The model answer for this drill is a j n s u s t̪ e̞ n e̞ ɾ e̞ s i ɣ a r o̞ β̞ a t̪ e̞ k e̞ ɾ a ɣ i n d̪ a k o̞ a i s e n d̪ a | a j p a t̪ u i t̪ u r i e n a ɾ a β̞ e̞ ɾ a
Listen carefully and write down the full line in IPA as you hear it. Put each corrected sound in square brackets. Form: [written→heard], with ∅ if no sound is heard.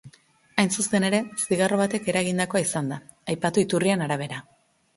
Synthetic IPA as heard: a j n s u s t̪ e̞ n e̞ ɾ e̞ s i ɣ a r o̞ β̞ a t̪ e̞ k e̞ ɾ a ɣ i n d̪ a k o̞ a i s [e→a] n d̪ a | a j p a t̪ u i t̪ u r i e n a ɾ a β̞ e̞ ɾ a